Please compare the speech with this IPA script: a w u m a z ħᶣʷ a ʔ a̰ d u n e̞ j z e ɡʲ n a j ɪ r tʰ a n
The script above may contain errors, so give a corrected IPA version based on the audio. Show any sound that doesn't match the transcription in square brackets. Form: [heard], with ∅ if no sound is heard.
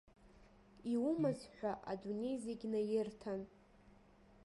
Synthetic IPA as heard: [i] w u m a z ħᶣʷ a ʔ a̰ d u n e̞ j z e ɡʲ n a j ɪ r tʰ a n